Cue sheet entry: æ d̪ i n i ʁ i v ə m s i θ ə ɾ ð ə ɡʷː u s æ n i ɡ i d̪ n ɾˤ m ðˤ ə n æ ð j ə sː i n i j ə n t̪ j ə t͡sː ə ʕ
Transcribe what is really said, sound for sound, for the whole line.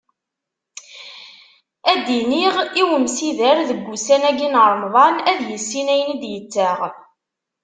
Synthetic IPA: æ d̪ i n i ʁ i w ə m s i ð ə ɾ ð ə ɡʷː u s æ n æ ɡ i n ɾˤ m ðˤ ɑ n æ ð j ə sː i n æ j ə n d̪ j ə t͡sː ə ʁ